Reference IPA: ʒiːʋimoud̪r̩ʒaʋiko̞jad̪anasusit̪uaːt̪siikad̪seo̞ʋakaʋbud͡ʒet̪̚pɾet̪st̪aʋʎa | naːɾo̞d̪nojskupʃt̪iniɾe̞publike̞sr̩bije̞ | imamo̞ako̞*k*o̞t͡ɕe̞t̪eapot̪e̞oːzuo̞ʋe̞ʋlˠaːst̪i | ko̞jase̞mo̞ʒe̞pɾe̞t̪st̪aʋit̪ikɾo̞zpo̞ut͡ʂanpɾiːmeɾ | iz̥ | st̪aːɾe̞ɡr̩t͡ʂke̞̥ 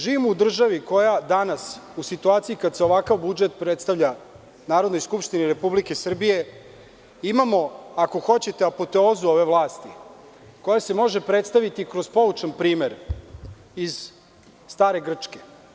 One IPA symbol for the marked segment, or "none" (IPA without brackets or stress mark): x